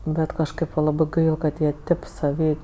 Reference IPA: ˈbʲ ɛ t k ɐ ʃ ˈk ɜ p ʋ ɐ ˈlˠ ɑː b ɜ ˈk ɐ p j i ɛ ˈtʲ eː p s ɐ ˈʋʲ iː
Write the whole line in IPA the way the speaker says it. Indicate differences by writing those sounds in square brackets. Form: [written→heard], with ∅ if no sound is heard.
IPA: ˈbʲ ɛ t k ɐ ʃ ˈk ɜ p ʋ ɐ ˈlˠ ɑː b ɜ ˈk ɐ [p→t] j i ɛ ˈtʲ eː p s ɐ ˈʋʲ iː